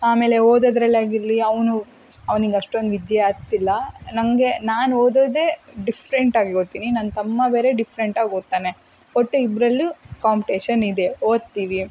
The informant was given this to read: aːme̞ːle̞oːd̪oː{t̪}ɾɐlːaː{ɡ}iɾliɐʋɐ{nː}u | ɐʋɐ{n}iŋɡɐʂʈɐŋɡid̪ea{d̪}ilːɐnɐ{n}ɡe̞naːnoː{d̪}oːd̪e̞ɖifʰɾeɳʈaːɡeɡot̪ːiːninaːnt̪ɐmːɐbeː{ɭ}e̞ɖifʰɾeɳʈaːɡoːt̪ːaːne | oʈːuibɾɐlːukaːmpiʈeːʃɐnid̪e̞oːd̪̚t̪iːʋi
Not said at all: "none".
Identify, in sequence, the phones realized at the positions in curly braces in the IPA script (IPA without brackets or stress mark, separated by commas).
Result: d̪, ɡ, n, n, t̪, ŋ, d̪, ɾ